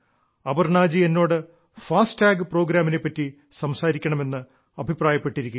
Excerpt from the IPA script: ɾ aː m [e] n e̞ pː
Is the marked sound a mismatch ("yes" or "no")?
yes